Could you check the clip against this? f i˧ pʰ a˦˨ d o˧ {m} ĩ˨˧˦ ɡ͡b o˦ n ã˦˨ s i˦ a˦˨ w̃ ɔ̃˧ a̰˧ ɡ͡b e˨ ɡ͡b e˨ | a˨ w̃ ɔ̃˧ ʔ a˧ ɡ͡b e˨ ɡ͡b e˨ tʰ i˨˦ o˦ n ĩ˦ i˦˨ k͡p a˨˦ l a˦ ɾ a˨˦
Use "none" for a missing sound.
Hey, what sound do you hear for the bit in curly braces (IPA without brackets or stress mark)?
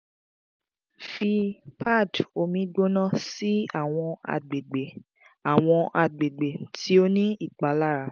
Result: m